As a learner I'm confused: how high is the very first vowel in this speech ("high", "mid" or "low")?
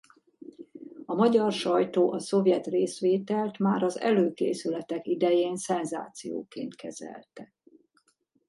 low